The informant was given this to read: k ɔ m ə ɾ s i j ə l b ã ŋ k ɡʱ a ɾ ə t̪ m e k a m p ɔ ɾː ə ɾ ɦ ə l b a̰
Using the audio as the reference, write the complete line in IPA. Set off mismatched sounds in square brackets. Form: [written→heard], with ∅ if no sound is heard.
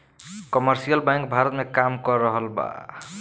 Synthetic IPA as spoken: k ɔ m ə ɾ s i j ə l b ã ŋ k [ɡʱ→bʱ] a ɾ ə t̪ m e k a m [p→k] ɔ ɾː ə [ɾ→∅] ɦ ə l b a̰